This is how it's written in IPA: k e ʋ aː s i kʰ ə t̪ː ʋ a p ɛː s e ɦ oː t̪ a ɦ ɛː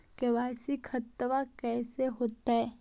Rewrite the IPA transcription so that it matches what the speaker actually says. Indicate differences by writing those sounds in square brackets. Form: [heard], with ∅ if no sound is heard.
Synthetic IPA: k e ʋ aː s i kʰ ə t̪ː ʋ a [k] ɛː s e ɦ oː t̪ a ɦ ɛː